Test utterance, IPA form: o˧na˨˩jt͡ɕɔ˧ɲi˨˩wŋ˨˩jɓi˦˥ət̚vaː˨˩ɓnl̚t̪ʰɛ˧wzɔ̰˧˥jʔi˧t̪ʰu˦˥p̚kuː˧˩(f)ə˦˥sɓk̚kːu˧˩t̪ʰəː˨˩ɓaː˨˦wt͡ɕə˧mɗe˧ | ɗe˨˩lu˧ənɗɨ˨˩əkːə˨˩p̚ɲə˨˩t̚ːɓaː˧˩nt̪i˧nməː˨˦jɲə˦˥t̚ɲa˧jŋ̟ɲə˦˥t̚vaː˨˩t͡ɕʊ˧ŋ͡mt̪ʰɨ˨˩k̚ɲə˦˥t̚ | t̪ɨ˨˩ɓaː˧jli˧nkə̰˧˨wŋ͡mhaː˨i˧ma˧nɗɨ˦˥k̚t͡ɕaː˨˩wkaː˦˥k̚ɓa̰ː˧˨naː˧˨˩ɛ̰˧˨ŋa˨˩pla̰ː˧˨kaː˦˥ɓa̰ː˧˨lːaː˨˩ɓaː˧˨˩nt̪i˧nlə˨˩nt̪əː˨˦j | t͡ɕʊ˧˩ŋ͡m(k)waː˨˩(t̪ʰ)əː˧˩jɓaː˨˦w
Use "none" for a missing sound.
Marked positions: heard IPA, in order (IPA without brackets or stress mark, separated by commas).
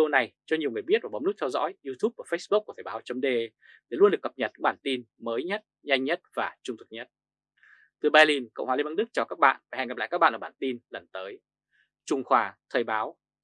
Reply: f, x, t̪ʰ